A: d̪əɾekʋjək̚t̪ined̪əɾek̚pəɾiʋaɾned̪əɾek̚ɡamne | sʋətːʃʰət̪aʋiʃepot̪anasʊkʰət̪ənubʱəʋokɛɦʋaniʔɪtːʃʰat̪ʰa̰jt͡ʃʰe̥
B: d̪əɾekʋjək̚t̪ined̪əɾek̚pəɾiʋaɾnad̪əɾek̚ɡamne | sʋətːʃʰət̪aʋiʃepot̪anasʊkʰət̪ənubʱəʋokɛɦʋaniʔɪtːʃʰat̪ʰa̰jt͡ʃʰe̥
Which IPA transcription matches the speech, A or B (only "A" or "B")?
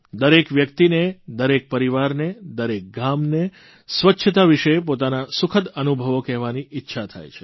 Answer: A